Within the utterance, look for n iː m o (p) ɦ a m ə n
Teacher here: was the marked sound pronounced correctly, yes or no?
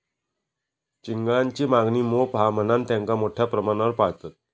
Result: yes